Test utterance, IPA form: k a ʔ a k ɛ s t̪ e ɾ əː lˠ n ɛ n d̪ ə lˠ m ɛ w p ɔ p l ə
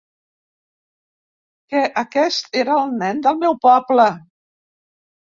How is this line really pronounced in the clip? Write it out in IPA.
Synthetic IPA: k ɛ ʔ ə k ɛ s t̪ e ɾ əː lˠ n ɛ n d̪ ə lˠ m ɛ w p ɔ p l ə